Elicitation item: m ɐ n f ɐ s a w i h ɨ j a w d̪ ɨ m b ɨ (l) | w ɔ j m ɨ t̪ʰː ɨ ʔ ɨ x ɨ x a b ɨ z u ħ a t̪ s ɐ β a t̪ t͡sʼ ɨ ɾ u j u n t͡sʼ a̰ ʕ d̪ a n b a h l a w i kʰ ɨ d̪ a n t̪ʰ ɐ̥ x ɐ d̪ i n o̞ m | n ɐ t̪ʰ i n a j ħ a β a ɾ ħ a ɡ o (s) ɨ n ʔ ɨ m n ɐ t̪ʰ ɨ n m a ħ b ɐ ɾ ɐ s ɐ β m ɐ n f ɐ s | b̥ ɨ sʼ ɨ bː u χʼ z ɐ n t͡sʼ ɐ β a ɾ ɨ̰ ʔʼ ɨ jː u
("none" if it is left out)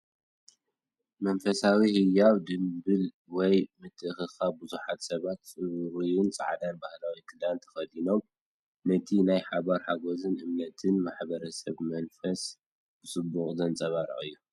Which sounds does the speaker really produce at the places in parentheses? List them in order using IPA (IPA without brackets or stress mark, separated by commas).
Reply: l, z